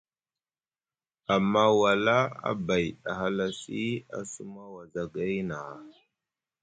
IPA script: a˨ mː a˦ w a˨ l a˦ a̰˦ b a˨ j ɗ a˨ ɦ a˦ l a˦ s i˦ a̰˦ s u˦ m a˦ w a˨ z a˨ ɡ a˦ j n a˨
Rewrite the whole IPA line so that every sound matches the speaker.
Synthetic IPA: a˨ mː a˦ w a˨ l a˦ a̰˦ b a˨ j ɗ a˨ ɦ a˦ l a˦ s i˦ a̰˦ s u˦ m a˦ w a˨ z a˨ ɡ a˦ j n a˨